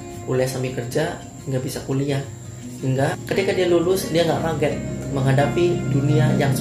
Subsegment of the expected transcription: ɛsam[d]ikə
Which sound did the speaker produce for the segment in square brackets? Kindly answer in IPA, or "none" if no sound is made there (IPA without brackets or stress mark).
b